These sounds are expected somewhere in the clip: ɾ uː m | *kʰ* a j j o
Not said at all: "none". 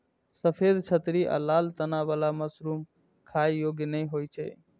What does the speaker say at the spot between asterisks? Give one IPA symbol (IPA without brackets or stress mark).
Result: kʰ